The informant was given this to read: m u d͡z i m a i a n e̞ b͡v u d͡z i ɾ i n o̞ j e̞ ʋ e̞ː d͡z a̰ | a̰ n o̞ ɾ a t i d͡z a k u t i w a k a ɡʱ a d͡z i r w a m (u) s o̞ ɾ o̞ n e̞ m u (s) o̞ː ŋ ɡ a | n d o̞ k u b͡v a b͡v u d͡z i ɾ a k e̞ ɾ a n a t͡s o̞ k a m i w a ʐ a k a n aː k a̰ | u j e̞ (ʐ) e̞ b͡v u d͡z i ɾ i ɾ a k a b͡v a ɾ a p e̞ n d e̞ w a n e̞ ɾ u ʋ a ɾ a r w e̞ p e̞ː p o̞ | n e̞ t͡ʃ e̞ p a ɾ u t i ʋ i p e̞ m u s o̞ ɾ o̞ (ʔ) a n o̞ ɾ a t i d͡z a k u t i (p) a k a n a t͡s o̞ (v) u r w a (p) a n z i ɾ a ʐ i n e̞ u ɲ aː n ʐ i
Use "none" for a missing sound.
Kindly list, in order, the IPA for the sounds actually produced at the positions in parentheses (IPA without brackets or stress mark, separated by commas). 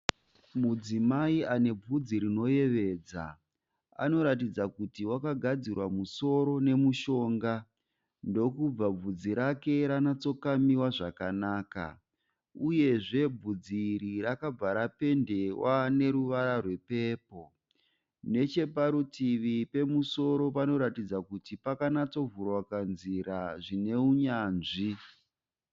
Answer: u, ʃ, ʐ, p, p, v, k